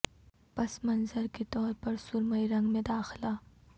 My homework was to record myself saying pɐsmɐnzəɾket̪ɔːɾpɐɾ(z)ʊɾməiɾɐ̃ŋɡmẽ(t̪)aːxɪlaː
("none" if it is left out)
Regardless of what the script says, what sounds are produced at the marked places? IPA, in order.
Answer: s, d̪

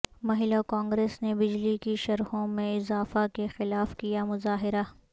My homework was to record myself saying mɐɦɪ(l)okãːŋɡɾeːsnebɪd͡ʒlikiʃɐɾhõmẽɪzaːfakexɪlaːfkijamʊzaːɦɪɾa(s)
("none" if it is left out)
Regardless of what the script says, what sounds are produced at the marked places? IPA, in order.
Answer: l, none

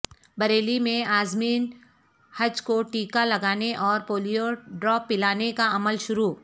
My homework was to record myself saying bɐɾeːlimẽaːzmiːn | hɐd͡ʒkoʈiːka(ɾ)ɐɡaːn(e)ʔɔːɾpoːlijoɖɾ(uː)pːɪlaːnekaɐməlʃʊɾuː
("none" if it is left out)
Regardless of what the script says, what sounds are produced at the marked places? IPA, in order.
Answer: l, e, ɔː

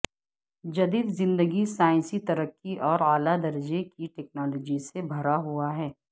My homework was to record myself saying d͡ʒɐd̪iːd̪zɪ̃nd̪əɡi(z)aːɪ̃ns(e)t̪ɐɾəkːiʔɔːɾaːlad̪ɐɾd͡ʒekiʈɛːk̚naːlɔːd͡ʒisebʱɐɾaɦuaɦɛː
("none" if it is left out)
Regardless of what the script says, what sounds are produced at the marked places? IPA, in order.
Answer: s, i

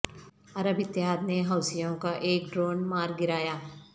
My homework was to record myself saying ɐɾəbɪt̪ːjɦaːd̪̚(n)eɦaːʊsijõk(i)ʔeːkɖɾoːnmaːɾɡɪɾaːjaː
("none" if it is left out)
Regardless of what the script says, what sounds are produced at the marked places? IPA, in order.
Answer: n, a

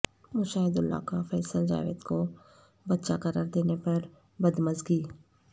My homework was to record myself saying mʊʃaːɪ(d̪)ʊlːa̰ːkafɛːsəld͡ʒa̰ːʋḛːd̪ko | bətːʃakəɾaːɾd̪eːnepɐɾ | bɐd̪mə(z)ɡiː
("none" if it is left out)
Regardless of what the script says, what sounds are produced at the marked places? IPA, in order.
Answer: d̪, z

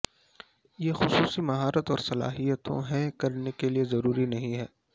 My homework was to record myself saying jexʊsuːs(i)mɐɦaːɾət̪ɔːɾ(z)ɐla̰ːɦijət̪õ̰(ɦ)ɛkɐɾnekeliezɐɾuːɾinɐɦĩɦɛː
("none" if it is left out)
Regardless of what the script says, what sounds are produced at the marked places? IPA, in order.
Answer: i, s, ɦ

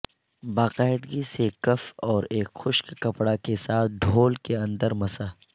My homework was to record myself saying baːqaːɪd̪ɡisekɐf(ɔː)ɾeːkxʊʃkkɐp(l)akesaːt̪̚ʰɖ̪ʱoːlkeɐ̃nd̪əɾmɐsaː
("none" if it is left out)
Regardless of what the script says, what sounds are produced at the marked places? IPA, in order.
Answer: ɔː, ɽ

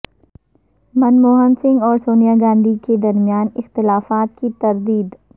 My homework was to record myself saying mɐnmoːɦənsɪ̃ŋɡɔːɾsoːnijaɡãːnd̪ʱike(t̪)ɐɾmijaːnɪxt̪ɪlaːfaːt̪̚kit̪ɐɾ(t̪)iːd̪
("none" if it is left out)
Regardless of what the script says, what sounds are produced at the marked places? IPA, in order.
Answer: d̪, d̪

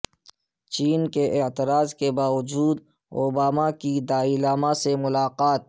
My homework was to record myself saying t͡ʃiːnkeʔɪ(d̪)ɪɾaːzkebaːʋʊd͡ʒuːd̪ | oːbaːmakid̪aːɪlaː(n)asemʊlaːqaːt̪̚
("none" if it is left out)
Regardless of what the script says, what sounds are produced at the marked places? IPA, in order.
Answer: t̪, m

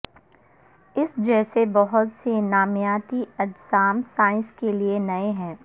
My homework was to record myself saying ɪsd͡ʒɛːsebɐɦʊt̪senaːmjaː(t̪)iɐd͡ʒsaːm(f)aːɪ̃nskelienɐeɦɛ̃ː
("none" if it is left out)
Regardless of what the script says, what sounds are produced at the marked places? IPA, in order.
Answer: t̪, s

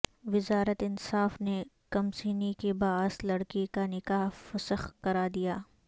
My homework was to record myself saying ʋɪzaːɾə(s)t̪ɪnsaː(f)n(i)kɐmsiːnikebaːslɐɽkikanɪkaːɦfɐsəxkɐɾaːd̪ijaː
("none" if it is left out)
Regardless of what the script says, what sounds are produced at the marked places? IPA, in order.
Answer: none, f, e

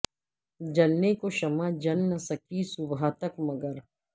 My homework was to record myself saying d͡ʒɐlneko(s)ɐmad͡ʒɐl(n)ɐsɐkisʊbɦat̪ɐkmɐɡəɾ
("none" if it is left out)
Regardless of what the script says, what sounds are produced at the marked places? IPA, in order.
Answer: ʃ, n

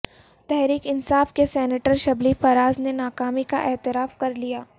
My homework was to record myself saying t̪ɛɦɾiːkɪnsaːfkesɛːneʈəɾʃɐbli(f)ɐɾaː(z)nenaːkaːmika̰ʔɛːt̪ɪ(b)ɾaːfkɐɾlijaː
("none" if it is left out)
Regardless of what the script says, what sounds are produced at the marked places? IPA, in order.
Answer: f, z, none

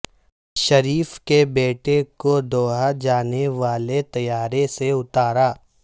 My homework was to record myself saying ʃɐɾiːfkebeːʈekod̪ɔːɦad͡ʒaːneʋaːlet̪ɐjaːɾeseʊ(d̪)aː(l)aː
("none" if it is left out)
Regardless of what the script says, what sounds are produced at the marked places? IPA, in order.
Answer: t̪, ɾ

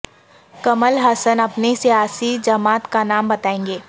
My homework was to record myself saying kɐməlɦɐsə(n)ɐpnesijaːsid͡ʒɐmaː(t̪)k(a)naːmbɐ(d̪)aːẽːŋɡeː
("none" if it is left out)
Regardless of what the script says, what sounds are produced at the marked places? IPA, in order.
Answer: n, t̪, a, t̪

